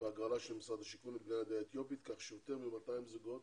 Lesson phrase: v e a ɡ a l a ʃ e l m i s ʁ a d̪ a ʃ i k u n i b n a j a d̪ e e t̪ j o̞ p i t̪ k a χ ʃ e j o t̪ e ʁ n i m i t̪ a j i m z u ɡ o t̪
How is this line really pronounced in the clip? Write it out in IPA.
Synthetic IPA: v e a ɡ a l a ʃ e l m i s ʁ a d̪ a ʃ i k u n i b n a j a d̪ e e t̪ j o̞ p i t̪ k a χ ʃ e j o t̪ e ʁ m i m a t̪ a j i m z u ɡ o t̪